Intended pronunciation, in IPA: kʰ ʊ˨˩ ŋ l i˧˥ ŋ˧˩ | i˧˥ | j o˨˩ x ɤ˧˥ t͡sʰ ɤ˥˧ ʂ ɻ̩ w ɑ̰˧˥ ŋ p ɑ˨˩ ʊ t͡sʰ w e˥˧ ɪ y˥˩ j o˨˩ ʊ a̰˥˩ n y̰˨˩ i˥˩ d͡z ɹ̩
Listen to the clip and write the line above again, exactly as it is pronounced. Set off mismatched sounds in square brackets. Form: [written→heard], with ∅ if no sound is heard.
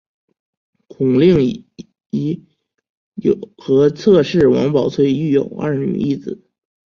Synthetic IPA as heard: kʰ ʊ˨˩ ŋ l [i˧˥→i˥˩] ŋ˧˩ | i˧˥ | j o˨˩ x ɤ˧˥ t͡sʰ ɤ˥˧ ʂ ɻ̩ w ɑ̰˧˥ ŋ p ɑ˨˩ ʊ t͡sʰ w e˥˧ ɪ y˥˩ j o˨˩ ʊ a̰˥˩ n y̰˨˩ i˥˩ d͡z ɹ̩